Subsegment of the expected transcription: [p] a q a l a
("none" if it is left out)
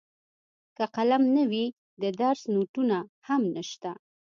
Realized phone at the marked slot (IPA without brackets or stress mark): k